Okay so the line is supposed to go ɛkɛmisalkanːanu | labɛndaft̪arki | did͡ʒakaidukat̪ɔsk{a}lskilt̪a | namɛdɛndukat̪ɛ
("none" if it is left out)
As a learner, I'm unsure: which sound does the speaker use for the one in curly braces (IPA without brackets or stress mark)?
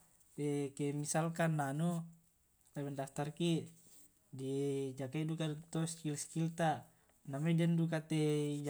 i